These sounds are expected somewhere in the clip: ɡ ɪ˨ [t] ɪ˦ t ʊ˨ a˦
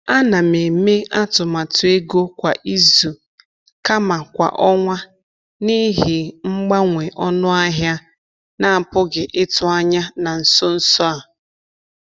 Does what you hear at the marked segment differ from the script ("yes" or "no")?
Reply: yes